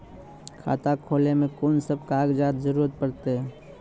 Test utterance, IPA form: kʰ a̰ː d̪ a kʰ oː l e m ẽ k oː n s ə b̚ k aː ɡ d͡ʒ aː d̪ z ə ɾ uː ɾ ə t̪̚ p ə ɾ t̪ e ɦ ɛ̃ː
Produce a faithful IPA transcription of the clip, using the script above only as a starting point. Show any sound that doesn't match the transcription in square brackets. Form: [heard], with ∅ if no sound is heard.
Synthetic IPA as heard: kʰ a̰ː [t̪] a kʰ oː l e m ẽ k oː n s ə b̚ k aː ɡ d͡ʒ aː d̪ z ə ɾ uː ɾ ə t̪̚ p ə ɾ t̪ e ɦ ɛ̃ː